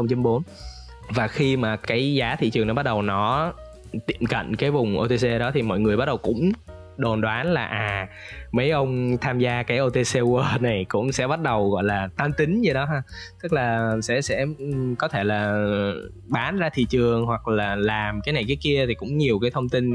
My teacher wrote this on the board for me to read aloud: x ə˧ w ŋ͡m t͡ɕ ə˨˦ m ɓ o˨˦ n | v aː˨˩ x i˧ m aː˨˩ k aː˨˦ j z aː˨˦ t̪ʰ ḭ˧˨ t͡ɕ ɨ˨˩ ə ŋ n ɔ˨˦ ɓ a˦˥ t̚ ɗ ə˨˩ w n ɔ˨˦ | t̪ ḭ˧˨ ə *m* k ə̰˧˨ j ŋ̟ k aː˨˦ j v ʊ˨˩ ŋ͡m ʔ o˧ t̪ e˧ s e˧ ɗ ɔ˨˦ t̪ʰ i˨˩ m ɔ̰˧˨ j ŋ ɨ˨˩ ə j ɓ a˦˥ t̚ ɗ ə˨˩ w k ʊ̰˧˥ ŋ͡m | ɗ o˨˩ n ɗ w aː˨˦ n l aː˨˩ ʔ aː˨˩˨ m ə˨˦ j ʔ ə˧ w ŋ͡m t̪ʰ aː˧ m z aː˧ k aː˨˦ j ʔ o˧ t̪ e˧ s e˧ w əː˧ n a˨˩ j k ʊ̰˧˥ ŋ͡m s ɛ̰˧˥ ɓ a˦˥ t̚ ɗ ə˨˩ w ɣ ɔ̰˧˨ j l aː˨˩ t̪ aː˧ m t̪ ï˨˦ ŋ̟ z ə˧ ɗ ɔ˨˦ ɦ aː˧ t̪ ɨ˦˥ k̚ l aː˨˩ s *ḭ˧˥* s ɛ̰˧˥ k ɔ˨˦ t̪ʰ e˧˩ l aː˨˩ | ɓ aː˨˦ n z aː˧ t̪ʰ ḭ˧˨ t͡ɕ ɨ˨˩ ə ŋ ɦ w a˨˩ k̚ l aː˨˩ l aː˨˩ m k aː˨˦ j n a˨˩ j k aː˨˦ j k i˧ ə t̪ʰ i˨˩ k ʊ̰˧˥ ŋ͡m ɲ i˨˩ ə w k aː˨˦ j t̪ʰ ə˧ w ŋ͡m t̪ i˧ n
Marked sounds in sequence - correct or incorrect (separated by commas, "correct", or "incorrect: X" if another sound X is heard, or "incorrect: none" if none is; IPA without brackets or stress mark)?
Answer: correct, incorrect: ɛ̰˧˥